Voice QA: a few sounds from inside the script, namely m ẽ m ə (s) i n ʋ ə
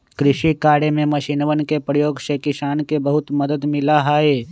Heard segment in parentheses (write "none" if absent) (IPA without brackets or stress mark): ʃ